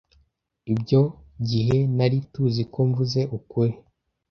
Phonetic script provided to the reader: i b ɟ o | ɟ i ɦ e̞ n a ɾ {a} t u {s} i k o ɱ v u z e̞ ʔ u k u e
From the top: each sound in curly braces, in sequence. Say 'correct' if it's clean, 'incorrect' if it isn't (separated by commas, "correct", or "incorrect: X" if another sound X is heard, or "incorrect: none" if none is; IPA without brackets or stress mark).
incorrect: i, incorrect: z